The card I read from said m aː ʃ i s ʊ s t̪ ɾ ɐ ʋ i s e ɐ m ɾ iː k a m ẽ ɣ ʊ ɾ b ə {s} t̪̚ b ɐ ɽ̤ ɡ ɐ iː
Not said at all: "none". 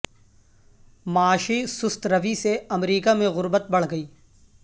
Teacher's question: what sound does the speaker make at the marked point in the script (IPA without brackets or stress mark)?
none